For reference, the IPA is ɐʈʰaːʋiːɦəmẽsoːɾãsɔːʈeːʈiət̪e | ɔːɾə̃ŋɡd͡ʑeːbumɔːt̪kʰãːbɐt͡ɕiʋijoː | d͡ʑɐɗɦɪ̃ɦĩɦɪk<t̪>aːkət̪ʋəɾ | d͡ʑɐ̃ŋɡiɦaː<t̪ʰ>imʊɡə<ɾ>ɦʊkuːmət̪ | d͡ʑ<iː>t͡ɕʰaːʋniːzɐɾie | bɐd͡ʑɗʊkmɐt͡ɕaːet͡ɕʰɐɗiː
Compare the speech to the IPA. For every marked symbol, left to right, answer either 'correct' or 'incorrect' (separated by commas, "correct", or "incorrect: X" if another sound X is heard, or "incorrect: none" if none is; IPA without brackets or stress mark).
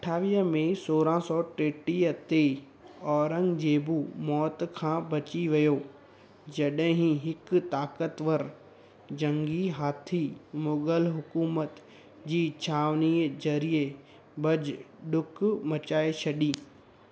correct, correct, incorrect: l, correct